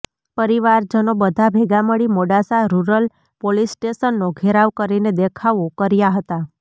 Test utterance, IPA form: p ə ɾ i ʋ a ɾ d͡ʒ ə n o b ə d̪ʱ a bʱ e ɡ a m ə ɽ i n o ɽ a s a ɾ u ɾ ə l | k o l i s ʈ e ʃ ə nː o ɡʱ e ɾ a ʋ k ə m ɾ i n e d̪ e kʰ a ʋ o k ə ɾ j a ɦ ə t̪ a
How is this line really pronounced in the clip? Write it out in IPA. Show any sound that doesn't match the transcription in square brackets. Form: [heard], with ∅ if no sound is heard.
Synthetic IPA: p ə ɾ i ʋ a ɾ d͡ʒ ə n o b ə d̪ʱ a bʱ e ɡ a m ə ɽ i [m] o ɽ a s a ɾ u ɾ ə l | [p] o l i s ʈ e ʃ ə nː o ɡʱ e ɾ a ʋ k ə [∅] ɾ i n e d̪ e kʰ a ʋ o k ə ɾ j a ɦ ə t̪ a